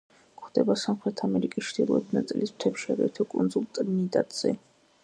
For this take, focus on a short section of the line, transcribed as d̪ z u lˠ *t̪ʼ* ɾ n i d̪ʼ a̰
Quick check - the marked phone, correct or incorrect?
correct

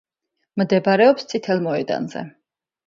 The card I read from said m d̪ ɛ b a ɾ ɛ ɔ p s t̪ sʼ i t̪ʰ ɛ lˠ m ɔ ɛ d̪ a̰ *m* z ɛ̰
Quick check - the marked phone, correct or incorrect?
incorrect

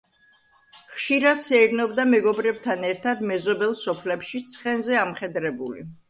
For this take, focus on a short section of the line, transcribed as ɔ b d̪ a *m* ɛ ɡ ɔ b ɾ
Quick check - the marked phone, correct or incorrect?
correct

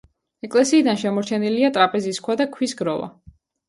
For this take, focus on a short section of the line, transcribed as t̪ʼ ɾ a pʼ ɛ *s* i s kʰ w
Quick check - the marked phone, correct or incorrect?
incorrect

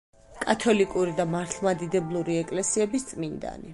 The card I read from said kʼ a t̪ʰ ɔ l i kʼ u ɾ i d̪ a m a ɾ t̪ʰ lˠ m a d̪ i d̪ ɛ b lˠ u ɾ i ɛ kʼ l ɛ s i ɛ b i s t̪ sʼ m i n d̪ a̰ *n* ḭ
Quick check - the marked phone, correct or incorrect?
correct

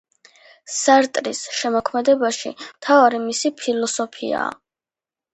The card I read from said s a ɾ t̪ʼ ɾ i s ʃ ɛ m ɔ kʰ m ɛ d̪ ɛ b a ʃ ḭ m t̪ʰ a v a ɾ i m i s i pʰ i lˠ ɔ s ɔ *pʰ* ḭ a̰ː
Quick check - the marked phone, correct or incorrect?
correct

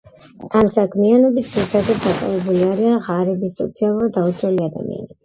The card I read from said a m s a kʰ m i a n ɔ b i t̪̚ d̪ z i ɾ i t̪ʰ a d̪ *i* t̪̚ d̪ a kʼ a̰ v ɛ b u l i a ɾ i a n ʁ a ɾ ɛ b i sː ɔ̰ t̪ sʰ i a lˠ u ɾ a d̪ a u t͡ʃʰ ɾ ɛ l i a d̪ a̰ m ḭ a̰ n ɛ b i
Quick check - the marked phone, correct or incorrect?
incorrect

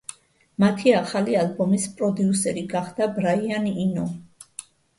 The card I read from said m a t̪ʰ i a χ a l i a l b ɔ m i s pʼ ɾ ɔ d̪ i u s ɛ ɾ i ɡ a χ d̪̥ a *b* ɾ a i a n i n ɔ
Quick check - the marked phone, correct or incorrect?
correct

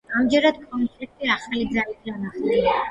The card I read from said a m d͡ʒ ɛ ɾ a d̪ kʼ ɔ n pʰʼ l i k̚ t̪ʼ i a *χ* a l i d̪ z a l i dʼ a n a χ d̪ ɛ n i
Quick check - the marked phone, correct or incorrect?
correct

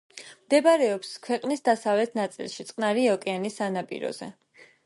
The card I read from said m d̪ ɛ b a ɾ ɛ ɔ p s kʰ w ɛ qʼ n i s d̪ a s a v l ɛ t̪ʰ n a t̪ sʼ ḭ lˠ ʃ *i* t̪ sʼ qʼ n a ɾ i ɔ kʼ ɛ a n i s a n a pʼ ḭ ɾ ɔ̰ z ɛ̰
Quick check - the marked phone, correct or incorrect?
correct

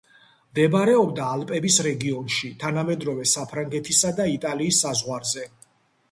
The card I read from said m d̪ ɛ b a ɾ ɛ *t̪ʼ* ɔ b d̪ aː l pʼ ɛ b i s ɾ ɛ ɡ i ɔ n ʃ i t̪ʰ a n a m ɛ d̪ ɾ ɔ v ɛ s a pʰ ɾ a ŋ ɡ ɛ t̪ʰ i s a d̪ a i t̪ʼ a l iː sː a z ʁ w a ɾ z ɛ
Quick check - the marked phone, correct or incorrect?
incorrect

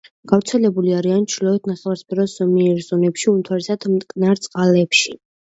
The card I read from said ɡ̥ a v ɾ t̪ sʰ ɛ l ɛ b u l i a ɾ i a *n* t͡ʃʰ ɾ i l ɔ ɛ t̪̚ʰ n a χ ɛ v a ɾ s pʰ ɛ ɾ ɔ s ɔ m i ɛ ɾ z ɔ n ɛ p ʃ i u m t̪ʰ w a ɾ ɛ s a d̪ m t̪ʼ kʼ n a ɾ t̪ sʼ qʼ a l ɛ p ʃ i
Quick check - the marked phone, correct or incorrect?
correct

